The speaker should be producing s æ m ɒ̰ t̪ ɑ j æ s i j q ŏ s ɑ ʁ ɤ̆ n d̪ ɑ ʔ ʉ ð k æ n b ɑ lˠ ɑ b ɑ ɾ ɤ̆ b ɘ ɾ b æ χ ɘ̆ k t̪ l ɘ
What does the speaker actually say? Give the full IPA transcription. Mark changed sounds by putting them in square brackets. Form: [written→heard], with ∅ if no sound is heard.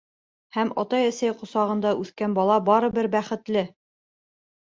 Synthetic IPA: [s→h] æ m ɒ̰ t̪ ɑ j æ s [i→æ] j q ŏ s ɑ ʁ ɤ̆ n d̪ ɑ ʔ ʉ [ð→θ] k æ n b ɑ lˠ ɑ b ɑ ɾ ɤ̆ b ɘ ɾ b æ χ ɘ̆ [k→∅] t̪ l ɘ